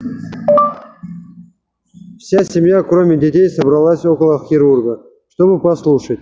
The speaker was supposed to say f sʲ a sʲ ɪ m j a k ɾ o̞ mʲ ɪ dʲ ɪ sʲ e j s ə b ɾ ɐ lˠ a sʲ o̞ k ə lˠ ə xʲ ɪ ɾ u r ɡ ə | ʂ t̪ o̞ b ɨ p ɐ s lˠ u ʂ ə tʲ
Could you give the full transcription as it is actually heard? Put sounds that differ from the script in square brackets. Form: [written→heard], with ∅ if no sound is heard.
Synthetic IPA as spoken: f sʲ a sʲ ɪ m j a k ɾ o̞ mʲ ɪ dʲ ɪ [sʲ→tʲ] e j s ə b ɾ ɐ lˠ a sʲ o̞ k ə lˠ ə xʲ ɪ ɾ u r ɡ ə | ʂ t̪ o̞ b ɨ p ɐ s lˠ u ʂ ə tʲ